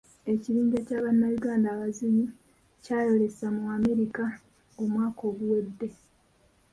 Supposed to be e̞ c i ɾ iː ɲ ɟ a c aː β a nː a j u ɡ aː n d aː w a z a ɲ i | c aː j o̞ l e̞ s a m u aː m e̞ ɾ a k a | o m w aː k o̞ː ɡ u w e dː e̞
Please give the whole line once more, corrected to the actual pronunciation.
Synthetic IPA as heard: e̞ c i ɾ iː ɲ ɟ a c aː β a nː a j u ɡ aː n d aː β a z i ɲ i | c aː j o̞ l e̞ s a m u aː m e̞ ɾ i k a | o m w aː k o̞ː ɡ u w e dː e̞